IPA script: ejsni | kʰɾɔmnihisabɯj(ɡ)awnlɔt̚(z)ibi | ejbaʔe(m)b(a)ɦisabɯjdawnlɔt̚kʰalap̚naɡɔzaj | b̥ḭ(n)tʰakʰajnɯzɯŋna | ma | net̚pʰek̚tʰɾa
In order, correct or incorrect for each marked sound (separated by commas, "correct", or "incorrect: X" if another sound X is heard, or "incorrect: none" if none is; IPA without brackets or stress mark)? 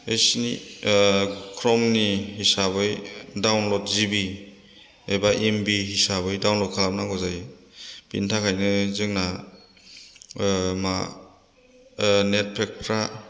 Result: incorrect: d, correct, correct, incorrect: i, correct